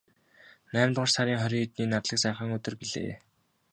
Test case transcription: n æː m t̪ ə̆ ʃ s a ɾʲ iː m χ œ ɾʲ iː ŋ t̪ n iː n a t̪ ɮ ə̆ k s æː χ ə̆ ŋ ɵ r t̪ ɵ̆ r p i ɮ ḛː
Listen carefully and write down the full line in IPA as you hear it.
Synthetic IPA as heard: n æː m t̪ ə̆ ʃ s a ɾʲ iː ŋ χ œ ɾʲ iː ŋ t̪ n iː n a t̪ ɮ ə̆ k s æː χ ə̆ ŋ ɵ t̪ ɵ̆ r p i ɮ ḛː

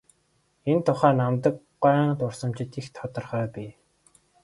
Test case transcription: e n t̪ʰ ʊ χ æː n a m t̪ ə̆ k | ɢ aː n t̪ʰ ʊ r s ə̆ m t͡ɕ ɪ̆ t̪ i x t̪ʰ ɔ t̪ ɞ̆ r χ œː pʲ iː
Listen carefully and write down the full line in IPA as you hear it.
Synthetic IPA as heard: e n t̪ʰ ʊ χ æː n a m t̪ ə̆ k | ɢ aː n t̪ ʊ r s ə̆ m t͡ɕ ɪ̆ t̪ i x t̪ʰ ɔ t̪ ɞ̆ r χ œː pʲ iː

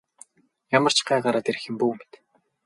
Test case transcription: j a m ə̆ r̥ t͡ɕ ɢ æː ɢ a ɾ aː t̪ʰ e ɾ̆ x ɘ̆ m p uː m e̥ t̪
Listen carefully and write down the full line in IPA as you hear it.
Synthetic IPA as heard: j a m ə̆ r̥ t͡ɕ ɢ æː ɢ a ɾ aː t̪ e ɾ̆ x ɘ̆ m p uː m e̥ t̪

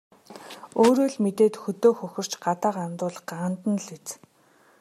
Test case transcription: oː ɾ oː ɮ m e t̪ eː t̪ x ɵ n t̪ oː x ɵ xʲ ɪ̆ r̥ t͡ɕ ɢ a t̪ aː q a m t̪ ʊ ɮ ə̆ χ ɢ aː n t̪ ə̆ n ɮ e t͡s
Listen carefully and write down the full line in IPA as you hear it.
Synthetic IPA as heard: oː ɾ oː ɮ m e t̪ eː t̪ x ɵ t̪ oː x ɵ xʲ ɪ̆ r̥ t͡ɕ ɢ a t̪ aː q a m t̪ ʊː ɮ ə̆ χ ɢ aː n t̪ ə̆ n ɮ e t͡s

